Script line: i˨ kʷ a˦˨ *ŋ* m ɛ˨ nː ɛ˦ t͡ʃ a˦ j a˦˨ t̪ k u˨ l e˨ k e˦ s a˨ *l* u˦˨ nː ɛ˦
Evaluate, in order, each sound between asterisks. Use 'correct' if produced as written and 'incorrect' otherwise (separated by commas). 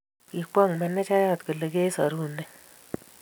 correct, incorrect